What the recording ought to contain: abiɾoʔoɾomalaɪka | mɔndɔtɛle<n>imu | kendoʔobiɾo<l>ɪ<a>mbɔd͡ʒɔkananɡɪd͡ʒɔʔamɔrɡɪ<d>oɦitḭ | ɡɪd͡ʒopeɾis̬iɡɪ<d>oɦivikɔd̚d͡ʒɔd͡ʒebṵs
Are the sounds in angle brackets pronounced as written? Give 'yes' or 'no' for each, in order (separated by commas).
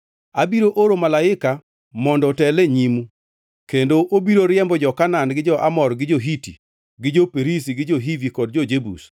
no, no, no, no, no